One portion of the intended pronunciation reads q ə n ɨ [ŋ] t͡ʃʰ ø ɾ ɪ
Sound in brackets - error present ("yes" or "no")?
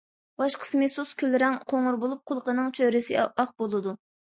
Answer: no